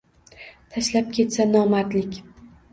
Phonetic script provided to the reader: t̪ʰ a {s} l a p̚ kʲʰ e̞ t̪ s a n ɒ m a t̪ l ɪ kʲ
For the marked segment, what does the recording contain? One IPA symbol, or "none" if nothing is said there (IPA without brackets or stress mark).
ʃ